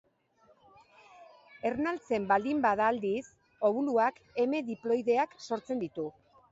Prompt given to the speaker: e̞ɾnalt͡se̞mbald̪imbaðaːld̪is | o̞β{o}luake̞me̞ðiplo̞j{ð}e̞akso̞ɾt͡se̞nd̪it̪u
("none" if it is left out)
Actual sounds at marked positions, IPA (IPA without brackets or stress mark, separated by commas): u, ð